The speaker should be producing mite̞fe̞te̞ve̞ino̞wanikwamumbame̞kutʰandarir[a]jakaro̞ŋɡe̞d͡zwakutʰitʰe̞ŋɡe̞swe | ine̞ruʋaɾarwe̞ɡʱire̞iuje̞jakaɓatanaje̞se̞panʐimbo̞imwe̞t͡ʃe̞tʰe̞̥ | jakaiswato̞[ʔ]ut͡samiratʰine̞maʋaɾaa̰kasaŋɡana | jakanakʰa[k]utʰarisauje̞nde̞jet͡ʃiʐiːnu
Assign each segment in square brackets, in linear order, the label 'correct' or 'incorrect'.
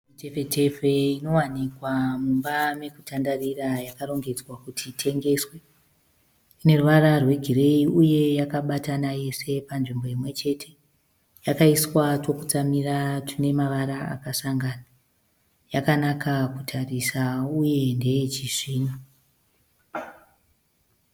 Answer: correct, incorrect, correct

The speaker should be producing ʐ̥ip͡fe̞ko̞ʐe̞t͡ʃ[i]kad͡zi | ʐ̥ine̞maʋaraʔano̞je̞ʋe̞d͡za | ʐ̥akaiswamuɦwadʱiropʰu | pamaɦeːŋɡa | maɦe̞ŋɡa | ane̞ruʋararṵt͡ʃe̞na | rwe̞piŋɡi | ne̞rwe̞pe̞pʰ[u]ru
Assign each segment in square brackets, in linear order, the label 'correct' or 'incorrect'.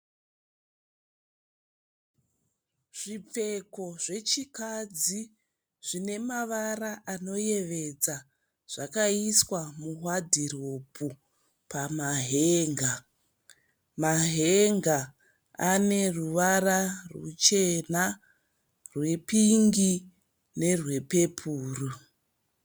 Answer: correct, incorrect

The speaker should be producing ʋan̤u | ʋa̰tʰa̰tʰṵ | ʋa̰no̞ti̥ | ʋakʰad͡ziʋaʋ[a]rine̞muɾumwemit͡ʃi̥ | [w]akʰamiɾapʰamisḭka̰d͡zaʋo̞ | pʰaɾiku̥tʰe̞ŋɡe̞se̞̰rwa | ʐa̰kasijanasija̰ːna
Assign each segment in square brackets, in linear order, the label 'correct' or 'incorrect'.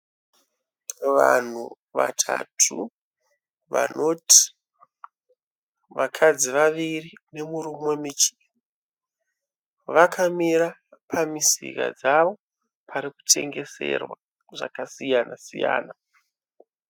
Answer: incorrect, incorrect

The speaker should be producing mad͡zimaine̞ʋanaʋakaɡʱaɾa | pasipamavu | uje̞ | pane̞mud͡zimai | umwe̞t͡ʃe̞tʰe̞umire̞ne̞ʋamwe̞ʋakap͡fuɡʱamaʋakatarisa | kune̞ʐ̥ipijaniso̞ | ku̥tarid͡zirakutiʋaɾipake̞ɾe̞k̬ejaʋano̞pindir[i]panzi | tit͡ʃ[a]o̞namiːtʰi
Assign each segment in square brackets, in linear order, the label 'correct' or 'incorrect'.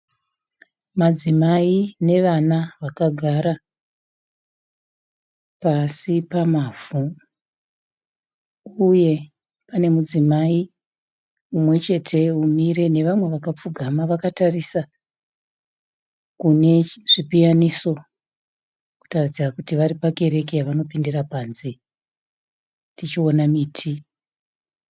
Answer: incorrect, incorrect

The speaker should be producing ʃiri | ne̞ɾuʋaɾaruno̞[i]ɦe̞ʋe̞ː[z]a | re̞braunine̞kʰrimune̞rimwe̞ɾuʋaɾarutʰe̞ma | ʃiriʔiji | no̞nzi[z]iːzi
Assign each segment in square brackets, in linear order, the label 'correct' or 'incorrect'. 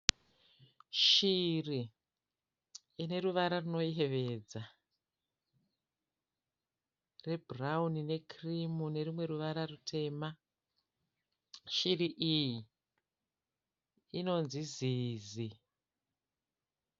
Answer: correct, incorrect, correct

